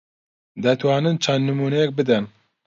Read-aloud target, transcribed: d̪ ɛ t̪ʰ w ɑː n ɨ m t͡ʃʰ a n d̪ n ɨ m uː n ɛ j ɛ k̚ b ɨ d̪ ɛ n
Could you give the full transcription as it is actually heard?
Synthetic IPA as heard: d̪ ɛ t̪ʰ w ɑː n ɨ n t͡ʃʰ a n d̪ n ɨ m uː n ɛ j ɛ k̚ b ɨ d̪ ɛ n